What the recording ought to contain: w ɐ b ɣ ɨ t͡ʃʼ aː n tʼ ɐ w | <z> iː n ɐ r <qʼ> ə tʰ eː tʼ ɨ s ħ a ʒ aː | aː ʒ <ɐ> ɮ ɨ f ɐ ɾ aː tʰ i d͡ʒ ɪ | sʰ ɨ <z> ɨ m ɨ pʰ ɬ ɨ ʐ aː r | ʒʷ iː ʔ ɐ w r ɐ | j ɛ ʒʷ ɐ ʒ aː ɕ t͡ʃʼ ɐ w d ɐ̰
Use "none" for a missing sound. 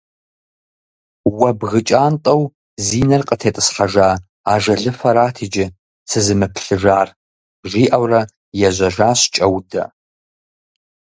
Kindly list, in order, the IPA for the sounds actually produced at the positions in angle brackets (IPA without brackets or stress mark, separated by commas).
z, qʼ, ɐ, z